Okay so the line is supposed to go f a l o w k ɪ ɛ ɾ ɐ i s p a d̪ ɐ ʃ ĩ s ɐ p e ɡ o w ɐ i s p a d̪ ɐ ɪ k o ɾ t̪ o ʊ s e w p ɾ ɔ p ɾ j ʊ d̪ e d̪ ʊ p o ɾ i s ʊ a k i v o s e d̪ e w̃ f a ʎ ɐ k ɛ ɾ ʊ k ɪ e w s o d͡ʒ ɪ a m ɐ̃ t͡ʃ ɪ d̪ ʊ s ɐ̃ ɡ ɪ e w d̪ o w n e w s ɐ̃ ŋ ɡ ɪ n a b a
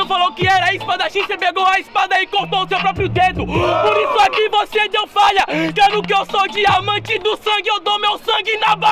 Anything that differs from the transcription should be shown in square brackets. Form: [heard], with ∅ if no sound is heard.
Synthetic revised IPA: f a l o w k ɪ ɛ ɾ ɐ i s p a d̪ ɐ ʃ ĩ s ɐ p e ɡ o w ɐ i s p a d̪ ɐ ɪ k o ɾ t̪ o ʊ s e w p ɾ ɔ p ɾ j ʊ d̪ e d̪ ʊ p o ɾ i s ʊ a k i v o s e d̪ e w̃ f a ʎ ɐ k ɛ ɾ ʊ k ɪ e w s o d͡ʒ ɪ a m ɐ̃ t͡ʃ ɪ d̪ ʊ s ɐ̃ ɡ ɪ e w d̪ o w [m] e w s ɐ̃ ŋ ɡ ɪ n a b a